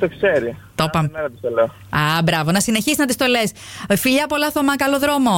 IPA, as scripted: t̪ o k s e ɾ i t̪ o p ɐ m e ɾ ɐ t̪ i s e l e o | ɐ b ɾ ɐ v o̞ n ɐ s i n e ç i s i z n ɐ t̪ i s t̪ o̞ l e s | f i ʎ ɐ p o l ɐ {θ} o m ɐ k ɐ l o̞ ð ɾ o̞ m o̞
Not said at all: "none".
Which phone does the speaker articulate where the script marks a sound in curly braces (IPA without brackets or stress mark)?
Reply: θ